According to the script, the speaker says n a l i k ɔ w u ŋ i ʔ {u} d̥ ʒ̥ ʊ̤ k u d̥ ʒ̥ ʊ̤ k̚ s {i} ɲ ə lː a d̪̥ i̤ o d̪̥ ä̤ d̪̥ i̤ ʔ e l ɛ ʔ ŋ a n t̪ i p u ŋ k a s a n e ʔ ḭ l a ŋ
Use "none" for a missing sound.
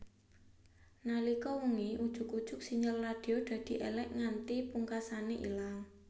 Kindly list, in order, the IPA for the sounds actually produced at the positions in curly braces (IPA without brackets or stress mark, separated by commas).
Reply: u, i